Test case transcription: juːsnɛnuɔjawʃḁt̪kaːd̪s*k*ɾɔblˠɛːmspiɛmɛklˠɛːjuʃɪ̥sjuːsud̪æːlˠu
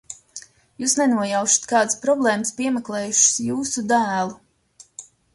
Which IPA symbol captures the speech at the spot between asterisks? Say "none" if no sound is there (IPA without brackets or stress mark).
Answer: p